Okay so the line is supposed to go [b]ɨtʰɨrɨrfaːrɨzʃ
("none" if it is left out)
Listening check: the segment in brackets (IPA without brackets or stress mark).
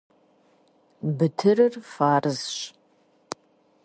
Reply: b